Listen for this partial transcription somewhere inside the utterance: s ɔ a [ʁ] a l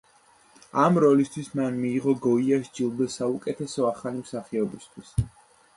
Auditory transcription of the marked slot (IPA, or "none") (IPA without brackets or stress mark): χ